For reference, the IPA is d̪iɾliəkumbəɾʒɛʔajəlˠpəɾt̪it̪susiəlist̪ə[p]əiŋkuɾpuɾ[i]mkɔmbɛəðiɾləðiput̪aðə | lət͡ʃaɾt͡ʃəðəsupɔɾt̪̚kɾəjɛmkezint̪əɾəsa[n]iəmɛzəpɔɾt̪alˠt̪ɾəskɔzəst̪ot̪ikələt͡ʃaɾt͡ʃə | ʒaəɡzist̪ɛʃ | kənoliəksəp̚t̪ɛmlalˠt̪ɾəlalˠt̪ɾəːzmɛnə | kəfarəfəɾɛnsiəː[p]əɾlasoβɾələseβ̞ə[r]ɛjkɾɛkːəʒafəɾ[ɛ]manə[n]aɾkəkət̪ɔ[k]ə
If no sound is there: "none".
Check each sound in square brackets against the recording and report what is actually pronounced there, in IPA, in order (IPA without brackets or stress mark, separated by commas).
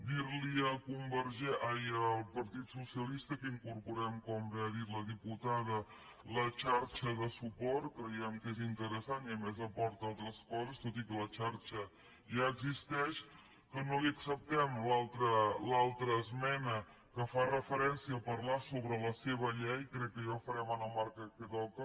k, ɛ, n, p, ʎ, ɛ, m, k